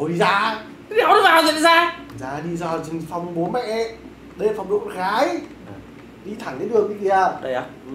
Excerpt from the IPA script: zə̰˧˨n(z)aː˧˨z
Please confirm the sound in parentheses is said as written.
yes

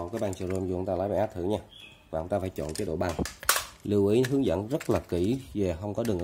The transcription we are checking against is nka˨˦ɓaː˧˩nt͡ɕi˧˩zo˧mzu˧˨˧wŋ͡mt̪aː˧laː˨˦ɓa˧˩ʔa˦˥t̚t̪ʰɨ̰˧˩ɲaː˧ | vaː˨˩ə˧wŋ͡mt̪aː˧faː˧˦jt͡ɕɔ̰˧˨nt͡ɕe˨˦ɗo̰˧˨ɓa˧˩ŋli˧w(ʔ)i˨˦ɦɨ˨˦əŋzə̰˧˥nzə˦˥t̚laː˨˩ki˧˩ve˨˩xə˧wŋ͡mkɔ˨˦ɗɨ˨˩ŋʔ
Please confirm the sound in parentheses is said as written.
yes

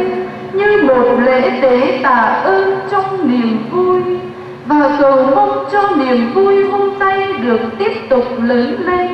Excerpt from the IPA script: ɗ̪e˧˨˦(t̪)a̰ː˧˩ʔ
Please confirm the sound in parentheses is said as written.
yes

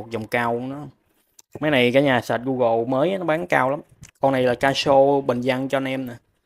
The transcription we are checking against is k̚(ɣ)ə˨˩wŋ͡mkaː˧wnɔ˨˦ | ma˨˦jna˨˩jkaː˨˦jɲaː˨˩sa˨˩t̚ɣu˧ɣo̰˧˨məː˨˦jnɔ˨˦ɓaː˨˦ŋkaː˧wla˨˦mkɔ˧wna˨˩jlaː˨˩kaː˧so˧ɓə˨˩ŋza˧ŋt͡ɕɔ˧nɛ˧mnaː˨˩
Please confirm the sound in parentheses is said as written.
no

